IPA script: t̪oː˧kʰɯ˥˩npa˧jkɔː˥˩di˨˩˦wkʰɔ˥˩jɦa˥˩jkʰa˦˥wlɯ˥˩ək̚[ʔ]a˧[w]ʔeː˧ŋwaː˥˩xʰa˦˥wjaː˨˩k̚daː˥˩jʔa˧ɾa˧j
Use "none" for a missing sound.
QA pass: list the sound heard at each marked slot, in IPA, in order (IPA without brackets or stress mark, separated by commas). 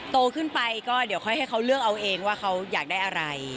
ʔ, w